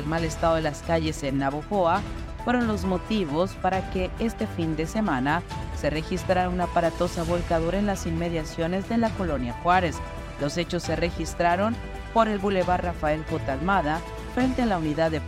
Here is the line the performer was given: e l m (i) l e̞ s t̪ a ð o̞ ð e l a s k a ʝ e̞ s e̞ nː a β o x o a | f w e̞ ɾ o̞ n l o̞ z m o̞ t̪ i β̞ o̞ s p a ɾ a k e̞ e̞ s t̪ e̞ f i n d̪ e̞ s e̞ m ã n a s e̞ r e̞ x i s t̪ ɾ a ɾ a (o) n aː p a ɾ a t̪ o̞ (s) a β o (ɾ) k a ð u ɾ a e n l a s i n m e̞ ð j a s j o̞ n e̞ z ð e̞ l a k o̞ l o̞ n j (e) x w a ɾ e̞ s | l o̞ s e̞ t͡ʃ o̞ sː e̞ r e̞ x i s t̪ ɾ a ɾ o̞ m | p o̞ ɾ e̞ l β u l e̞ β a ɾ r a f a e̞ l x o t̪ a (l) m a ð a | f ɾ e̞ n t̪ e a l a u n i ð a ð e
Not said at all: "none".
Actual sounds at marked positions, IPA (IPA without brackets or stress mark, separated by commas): a, u, s, l, a, l